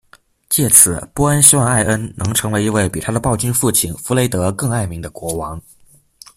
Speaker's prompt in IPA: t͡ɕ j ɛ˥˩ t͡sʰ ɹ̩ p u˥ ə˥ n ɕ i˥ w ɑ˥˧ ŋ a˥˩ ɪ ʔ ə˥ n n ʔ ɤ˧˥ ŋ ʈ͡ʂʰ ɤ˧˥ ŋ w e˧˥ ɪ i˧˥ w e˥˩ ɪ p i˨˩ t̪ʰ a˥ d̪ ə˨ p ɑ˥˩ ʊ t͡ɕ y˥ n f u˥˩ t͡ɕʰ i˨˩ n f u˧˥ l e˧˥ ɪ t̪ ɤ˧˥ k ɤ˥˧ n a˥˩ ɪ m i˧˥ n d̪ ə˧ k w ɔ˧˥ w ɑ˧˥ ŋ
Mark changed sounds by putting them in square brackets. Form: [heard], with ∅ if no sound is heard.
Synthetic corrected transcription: t͡ɕ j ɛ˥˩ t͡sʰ ɹ̩ p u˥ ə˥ n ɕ i˥ w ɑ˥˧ ŋ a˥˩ ɪ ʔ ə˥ n n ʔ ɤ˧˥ ŋ ʈ͡ʂʰ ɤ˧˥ ŋ w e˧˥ ɪ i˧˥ w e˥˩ ɪ p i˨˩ t̪ʰ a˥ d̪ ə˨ p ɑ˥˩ ʊ t͡ɕ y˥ n f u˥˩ t͡ɕʰ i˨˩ n f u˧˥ l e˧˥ ɪ t̪ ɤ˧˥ k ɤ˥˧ [ŋ] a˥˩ ɪ m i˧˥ [ŋ] d̪ ə˧ k w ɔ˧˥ w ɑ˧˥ ŋ